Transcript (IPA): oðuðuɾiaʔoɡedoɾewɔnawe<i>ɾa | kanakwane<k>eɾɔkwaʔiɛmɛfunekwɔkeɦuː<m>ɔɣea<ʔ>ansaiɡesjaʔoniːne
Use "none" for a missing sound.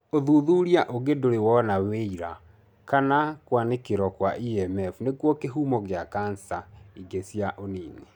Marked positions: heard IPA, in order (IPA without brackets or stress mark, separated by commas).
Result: i, k, m, k